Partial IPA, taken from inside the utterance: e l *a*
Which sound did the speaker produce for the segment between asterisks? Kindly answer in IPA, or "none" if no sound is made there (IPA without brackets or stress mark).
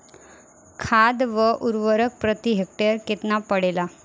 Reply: a